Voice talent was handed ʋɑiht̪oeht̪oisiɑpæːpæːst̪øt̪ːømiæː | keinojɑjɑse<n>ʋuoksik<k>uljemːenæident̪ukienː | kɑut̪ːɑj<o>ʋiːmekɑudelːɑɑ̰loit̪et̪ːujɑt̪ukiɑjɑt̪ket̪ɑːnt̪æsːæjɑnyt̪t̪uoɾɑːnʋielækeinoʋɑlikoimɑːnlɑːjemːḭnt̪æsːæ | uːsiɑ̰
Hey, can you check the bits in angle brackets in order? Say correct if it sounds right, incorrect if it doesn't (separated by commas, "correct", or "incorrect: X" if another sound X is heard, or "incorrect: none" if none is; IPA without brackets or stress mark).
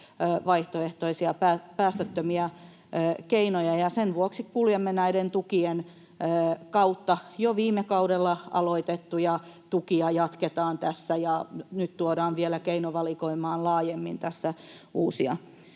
correct, correct, correct